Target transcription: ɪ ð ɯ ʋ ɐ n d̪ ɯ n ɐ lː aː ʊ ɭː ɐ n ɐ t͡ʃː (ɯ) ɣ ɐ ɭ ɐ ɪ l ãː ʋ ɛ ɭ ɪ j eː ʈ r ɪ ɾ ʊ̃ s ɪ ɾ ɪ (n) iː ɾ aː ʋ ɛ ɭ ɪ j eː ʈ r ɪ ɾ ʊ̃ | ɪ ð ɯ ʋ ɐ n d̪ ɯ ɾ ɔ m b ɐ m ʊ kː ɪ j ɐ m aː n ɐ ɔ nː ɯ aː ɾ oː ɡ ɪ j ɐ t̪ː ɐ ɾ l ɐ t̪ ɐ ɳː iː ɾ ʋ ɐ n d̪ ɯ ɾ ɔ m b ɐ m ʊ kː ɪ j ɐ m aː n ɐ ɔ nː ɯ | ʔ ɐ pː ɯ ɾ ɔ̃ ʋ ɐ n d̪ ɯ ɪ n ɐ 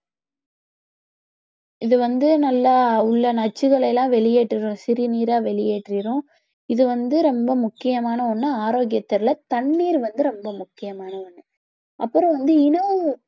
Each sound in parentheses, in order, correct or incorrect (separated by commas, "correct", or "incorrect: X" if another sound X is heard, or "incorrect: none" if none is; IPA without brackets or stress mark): correct, correct